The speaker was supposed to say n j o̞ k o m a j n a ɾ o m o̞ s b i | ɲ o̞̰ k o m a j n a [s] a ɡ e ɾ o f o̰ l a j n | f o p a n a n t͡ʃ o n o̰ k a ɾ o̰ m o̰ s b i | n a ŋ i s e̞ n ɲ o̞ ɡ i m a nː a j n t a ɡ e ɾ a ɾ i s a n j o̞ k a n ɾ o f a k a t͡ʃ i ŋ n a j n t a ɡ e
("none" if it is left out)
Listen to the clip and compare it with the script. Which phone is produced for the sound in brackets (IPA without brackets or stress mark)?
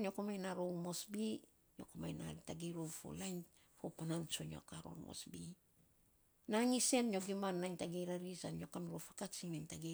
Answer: t